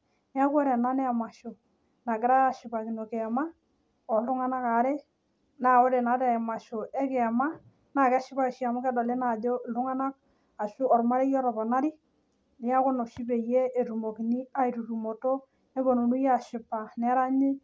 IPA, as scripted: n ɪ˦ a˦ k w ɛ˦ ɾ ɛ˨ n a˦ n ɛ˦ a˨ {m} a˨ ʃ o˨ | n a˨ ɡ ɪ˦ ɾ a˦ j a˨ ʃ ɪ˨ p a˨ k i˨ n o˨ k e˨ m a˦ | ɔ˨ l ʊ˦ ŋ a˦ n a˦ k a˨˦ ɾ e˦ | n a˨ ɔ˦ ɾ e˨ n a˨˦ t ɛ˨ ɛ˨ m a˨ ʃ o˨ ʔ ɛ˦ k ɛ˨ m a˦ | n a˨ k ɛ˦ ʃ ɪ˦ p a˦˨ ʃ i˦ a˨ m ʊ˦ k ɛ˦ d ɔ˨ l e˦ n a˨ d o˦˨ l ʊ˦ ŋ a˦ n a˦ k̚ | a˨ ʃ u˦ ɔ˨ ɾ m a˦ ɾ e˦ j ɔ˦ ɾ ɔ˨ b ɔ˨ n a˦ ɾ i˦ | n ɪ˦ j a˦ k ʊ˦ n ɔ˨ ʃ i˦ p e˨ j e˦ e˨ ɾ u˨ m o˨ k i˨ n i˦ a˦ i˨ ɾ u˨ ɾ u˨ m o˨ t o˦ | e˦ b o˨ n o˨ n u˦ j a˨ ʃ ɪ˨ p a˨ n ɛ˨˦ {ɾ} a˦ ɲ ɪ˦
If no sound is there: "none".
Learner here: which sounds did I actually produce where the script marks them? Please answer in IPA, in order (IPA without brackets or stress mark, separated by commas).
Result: m, ɾ